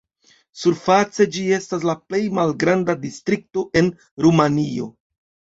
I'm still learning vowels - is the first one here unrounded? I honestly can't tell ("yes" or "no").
no